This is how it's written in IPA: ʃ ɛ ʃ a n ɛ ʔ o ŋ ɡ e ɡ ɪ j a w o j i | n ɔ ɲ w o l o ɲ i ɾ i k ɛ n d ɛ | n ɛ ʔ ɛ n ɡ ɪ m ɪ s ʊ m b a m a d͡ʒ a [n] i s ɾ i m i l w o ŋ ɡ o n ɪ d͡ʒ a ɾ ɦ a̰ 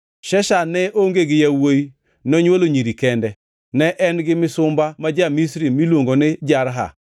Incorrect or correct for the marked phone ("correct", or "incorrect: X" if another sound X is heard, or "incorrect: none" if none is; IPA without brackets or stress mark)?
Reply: incorrect: m